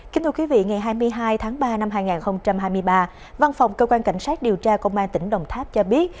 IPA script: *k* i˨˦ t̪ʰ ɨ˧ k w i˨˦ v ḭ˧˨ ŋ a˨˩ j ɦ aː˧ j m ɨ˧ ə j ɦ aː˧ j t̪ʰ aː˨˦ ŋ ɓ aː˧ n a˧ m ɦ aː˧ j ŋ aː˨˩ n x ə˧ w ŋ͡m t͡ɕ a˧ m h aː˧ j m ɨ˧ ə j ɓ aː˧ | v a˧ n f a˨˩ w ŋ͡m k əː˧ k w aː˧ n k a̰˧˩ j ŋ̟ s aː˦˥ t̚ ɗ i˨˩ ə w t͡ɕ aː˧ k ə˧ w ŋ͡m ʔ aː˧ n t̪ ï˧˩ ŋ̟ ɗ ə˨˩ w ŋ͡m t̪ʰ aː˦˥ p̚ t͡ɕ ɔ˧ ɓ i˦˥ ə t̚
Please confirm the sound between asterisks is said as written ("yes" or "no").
yes